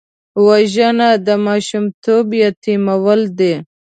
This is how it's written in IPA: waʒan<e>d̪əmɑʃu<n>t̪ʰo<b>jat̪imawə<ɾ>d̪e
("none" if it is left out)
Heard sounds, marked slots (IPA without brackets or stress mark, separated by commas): a, m, b, l